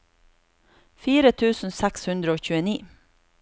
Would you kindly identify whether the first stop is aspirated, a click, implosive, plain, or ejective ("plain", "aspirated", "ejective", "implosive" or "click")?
aspirated